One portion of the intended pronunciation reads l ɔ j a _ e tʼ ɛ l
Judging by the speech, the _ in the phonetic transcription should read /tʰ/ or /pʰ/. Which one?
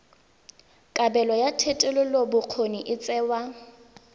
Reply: tʰ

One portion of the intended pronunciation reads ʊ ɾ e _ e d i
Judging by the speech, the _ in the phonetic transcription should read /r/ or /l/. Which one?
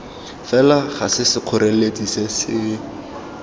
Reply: l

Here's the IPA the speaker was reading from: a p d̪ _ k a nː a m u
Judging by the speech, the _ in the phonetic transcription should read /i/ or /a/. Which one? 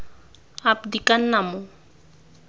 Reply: i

